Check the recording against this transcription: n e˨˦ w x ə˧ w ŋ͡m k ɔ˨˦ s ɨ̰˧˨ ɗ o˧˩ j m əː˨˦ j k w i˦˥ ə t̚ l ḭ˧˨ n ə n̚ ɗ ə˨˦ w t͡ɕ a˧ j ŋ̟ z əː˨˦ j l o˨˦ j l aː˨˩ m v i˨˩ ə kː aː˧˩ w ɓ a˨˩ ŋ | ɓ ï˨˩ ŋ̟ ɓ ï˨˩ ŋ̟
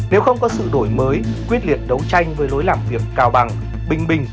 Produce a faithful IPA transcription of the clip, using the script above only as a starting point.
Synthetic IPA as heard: n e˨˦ w x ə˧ w ŋ͡m k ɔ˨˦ s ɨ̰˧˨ ɗ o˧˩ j m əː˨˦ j k w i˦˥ ə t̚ l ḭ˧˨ ə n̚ ɗ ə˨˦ w t͡ɕ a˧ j ŋ̟ v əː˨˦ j l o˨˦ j l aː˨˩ m v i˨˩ ə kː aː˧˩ w ɓ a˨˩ ŋ | ɓ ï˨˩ ŋ̟ ɓ ï˨˩ ŋ̟